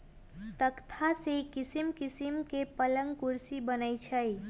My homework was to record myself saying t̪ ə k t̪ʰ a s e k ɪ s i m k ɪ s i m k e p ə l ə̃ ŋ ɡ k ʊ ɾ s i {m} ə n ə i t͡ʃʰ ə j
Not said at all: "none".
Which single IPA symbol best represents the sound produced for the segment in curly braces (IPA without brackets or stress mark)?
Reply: b